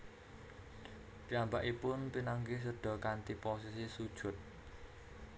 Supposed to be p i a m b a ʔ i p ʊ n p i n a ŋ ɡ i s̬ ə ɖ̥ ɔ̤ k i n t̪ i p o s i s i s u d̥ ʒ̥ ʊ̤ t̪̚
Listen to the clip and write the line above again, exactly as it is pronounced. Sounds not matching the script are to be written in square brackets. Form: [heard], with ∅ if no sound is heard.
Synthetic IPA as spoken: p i a m b a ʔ i p ʊ n p i n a ŋ ɡ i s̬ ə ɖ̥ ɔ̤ k [a] n t̪ i p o s i s i s u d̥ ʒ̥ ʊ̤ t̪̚